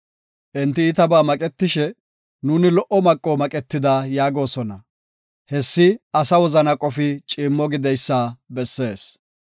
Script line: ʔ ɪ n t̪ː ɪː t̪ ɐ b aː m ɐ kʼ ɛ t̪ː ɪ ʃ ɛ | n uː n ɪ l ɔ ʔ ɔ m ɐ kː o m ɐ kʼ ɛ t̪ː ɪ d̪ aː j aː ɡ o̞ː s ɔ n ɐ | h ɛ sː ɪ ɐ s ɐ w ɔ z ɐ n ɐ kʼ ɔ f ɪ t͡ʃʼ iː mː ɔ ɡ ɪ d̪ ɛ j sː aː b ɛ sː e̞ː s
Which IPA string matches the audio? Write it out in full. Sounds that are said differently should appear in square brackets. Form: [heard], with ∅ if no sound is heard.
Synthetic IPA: ʔ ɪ n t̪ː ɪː t̪ ɐ b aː m ɐ kʼ ɛ t̪ː ɪ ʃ ɛ | n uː n ɪ l ɔ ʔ ɔ m ɐ [kʼː] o m ɐ kʼ ɛ t̪ː ɪ d̪ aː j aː ɡ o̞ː s ɔ n ɐ | h ɛ sː ɪ ɐ s ɐ w ɔ z ɐ n ɐ kʼ ɔ f ɪ t͡ʃʼ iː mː ɔ ɡ ɪ d̪ ɛ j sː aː b ɛ sː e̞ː s

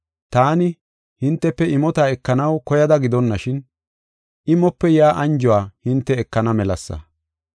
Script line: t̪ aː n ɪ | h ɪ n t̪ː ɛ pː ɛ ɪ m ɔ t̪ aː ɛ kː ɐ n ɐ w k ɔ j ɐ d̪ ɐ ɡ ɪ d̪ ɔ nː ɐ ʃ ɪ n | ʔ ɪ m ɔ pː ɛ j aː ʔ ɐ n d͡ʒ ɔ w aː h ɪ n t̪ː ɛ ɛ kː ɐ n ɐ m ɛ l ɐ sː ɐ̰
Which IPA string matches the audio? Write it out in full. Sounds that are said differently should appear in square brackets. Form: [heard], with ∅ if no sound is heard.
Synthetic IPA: t̪ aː n ɪ | h ɪ n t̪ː ɛ pː ɛ ɪ m ɔ t̪ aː ɛ kː ɐ n ɐ w k ɔ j ɐ d̪ ɐ ɡ ɪ d̪ ɔ nː ɐ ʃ ɪ n | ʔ ɪ m ɔ pː ɛ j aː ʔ ɐ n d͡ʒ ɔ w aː h ɪ n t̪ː ɛ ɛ kː ɐ n ɐ m ɛ l ɐ sː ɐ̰

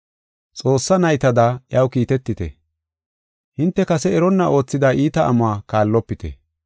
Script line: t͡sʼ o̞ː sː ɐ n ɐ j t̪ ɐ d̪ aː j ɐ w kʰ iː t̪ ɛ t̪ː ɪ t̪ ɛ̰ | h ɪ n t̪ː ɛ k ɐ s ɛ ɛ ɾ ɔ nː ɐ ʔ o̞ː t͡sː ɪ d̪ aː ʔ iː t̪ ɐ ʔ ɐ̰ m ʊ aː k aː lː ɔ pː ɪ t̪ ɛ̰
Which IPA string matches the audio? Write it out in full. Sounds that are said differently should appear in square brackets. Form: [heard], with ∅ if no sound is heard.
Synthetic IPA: t͡sʼ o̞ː sː ɐ n ɐ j t̪ ɐ d̪ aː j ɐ w [k] iː t̪ ɛ t̪ː ɪ t̪ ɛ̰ | h ɪ n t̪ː ɛ k ɐ s ɛ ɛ ɾ ɔ nː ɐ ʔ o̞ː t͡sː ɪ d̪ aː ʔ iː t̪ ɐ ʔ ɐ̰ m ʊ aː k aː lː ɔ pː ɪ t̪ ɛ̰

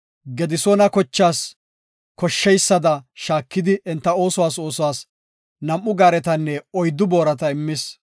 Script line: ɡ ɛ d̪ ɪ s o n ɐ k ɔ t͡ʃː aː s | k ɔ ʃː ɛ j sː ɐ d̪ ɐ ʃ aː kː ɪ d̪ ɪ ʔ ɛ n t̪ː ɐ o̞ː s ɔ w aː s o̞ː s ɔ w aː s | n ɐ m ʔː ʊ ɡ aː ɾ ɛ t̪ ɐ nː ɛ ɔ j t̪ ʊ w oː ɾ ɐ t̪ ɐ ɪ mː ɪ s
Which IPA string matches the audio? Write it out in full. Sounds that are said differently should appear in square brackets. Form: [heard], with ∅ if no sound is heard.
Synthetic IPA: ɡ ɛ d̪ ɪ s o n ɐ k ɔ t͡ʃː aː s | k ɔ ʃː ɛ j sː ɐ d̪ ɐ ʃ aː kː ɪ d̪ ɪ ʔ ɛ n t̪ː ɐ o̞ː s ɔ w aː s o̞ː s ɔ w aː s | n ɐ m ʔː ʊ ɡ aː ɾ ɛ t̪ ɐ nː ɛ ɔ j [d̪] ʊ [b] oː ɾ ɐ t̪ ɐ ɪ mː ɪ s

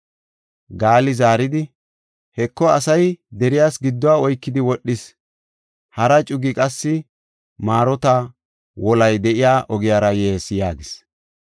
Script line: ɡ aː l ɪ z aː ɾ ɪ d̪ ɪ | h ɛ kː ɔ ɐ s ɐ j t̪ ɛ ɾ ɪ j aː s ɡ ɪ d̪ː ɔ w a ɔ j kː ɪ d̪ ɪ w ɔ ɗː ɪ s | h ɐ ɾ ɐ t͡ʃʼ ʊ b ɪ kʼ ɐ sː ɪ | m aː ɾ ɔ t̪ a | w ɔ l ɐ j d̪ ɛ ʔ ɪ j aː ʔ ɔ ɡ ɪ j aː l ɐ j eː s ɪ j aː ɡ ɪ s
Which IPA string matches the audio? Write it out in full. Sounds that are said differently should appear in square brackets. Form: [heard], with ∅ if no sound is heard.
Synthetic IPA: ɡ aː l ɪ z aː ɾ ɪ d̪ ɪ | h ɛ kː ɔ ɐ s ɐ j [d̪] ɛ ɾ ɪ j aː s ɡ ɪ d̪ː ɔ w a ɔ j kː ɪ d̪ ɪ w ɔ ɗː ɪ s | h ɐ ɾ ɐ t͡ʃʼ ʊ [ɡ] ɪ kʼ ɐ sː ɪ | m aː ɾ ɔ t̪ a | w ɔ l ɐ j d̪ ɛ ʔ ɪ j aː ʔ ɔ ɡ ɪ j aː [ɾ] ɐ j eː s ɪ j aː ɡ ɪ s

